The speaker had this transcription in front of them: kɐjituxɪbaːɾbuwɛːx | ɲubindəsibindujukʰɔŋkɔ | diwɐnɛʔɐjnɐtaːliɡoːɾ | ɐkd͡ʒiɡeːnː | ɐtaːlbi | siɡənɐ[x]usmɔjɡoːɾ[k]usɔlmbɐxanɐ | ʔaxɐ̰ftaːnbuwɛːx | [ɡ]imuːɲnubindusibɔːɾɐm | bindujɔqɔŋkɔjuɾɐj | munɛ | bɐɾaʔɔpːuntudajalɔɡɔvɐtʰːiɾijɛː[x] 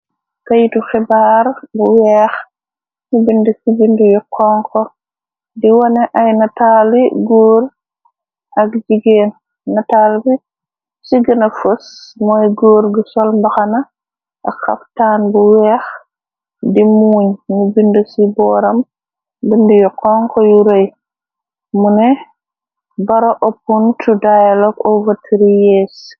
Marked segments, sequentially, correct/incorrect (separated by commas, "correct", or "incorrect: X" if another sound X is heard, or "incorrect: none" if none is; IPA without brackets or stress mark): incorrect: f, incorrect: ɡ, incorrect: d, incorrect: s